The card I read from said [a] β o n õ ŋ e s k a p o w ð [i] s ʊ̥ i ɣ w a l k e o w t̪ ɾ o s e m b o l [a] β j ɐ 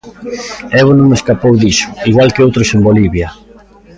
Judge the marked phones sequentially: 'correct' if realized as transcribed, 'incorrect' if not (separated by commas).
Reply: incorrect, correct, incorrect